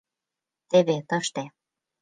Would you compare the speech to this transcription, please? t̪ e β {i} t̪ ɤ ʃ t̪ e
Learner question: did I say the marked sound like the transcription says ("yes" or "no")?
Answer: no